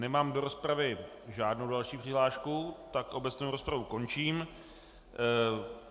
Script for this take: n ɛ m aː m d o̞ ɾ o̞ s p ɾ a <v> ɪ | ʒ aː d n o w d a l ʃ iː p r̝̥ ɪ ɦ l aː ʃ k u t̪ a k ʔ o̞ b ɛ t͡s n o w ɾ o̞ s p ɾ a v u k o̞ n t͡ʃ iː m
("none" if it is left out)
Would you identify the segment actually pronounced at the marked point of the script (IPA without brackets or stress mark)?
v